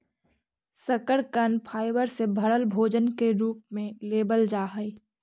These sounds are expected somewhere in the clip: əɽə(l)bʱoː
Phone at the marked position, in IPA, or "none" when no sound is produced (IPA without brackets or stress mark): l